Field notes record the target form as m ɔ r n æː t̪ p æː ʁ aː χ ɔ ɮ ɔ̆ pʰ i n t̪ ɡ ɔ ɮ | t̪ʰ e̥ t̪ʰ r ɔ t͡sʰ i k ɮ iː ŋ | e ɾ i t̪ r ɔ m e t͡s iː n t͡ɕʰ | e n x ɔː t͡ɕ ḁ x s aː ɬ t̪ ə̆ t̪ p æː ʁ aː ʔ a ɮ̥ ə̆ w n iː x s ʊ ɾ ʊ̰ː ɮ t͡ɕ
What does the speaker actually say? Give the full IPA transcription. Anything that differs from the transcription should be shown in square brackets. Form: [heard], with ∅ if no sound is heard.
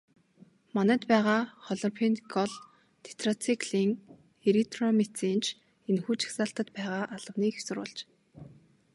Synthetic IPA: m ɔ [∅] n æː t̪ p æː ʁ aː χ ɔ ɮ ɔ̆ pʰ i n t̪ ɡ ɔ ɮ | t̪ʰ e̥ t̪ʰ r ɔ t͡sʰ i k ɮ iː ŋ | e ɾ i t̪ r ɔ m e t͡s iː n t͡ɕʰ | e n x [uː] t͡ɕ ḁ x s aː ɬ t̪ ə̆ t̪ p æː ʁ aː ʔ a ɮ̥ ə̆ w n iː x s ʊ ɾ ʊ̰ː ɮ t͡ɕ